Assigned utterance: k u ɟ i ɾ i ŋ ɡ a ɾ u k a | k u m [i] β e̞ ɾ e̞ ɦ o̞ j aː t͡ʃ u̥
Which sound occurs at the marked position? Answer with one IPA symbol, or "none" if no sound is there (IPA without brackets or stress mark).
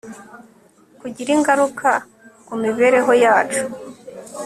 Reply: i